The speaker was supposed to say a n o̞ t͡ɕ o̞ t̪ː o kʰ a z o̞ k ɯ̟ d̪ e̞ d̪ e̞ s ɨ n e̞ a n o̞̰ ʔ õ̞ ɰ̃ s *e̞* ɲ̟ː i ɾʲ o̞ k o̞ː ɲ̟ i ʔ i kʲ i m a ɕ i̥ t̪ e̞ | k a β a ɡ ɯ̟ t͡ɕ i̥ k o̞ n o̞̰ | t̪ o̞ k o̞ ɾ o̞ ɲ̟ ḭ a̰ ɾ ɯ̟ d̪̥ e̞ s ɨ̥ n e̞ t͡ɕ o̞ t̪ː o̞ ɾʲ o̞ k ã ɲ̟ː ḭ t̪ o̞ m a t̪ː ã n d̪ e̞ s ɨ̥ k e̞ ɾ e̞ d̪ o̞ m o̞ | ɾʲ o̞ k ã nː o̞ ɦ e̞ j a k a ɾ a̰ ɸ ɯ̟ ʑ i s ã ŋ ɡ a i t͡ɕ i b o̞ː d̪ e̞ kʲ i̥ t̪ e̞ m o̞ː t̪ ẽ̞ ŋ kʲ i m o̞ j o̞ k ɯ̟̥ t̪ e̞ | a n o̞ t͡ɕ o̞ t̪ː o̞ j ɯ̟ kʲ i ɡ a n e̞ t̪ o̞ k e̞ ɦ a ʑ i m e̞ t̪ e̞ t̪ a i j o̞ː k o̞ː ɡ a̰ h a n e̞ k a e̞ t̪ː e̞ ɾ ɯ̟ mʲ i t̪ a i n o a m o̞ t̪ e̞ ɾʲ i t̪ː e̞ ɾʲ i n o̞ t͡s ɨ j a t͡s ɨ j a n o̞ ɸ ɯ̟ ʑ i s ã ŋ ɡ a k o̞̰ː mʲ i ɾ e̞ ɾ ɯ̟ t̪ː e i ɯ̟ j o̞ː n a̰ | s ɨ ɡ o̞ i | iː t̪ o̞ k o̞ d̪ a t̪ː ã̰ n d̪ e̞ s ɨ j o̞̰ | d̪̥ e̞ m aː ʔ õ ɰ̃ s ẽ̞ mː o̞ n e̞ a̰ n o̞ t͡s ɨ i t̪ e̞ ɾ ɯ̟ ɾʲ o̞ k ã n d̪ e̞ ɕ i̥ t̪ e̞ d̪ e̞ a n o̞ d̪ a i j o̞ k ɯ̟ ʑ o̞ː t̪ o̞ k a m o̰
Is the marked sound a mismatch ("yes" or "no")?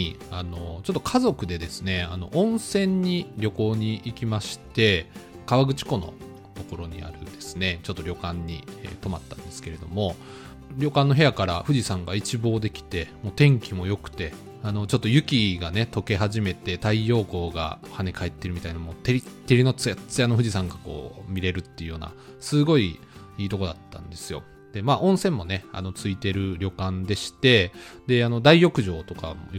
yes